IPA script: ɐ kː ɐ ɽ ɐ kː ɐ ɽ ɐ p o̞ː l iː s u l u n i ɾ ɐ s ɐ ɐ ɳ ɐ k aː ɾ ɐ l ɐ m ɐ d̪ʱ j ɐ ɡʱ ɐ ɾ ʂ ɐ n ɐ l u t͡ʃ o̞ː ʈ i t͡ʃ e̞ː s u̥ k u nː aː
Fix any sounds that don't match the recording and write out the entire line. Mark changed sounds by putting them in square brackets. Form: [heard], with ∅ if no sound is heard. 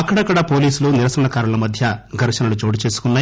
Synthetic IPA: ɐ kː ɐ ɽ ɐ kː ɐ ɽ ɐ p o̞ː l iː s u l u n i ɾ ɐ s ɐ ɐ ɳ ɐ k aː ɾ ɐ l ɐ m ɐ d̪ʱ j ɐ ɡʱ ɐ ɾ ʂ ɐ n ɐ l u t͡ʃ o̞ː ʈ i t͡ʃ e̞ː s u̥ k u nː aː